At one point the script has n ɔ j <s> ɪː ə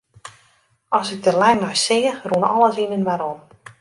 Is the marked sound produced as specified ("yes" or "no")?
yes